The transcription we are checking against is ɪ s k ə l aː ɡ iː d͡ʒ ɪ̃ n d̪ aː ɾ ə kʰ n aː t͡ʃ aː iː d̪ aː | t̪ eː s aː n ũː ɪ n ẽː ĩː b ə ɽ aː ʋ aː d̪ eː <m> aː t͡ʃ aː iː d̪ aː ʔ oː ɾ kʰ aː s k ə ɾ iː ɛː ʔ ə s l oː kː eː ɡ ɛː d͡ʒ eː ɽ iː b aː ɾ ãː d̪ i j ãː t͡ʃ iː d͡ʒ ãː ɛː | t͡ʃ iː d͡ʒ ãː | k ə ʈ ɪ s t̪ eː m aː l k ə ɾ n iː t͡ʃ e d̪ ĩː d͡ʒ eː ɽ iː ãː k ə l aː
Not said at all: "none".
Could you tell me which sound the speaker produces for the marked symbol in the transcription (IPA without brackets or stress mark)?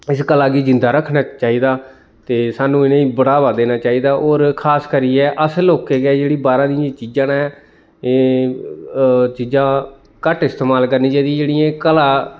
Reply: n